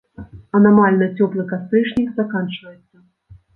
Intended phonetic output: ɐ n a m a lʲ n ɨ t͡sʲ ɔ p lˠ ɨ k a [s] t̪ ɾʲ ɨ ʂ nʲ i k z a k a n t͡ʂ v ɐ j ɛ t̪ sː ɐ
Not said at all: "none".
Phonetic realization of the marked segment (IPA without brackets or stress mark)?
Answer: s